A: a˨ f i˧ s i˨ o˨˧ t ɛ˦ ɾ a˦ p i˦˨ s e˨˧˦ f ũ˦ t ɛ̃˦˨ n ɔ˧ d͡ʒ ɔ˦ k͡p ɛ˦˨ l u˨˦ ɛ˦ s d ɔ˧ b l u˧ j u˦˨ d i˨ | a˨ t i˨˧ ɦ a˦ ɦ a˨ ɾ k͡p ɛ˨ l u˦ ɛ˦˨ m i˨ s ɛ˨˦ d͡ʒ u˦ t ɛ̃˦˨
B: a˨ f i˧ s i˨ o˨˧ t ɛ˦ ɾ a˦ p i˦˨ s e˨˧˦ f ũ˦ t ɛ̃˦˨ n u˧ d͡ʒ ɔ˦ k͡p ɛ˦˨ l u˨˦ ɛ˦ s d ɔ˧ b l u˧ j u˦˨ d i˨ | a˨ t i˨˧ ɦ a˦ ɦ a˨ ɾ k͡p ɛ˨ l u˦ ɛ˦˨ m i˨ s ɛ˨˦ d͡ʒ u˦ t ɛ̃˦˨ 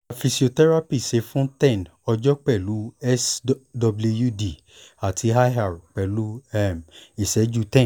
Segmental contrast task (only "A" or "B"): A